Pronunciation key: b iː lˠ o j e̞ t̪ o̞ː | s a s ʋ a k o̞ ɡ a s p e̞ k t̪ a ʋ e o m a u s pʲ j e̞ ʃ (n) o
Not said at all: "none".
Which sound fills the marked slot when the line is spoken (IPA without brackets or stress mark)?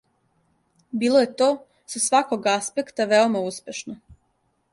n